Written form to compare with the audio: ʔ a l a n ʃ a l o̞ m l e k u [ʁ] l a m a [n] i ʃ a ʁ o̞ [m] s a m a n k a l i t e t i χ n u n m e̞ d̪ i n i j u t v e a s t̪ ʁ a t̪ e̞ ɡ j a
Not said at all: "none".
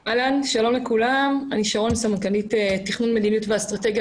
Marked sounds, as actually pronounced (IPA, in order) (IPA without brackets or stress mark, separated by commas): none, n, n